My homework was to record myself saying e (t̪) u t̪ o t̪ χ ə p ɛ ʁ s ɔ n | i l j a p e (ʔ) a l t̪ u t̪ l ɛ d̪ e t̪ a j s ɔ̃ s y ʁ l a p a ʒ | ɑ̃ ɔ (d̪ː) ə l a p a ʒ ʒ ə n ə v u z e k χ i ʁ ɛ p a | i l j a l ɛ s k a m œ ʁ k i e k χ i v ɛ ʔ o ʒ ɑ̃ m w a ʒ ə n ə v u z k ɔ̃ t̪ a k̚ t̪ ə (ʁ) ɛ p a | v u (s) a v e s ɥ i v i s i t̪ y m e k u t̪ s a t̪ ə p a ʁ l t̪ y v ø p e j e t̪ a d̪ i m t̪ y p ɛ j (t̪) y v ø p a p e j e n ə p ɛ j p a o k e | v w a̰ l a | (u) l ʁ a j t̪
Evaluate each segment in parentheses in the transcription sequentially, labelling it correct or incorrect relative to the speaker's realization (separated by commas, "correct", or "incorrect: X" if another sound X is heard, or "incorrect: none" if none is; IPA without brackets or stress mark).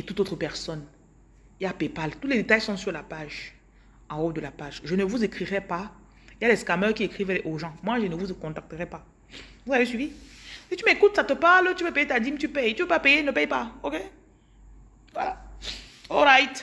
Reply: correct, incorrect: p, incorrect: d̪, correct, incorrect: z, correct, incorrect: ɔ